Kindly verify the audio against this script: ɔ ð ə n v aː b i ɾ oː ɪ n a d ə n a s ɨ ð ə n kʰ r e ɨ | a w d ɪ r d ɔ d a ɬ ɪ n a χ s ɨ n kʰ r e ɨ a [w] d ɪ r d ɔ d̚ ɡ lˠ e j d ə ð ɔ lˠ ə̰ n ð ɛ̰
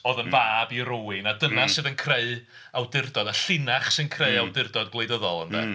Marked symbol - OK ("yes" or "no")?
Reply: yes